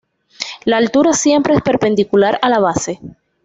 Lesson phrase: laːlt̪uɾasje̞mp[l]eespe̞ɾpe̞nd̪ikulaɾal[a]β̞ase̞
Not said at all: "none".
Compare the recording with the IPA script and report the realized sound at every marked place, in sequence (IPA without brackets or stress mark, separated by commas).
ɾ, a